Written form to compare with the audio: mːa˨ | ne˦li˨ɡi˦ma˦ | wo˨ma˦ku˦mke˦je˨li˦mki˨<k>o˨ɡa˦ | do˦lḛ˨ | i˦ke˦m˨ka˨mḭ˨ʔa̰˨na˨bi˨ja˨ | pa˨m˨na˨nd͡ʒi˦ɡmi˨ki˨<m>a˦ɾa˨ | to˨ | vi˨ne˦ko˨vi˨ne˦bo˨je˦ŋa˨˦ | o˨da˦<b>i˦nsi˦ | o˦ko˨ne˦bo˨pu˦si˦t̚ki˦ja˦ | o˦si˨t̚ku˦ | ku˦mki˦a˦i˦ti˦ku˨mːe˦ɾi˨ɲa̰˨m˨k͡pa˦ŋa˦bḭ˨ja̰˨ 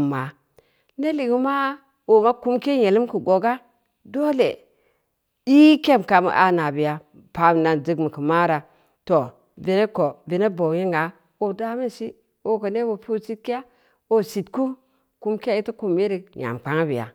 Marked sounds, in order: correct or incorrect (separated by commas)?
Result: incorrect, correct, incorrect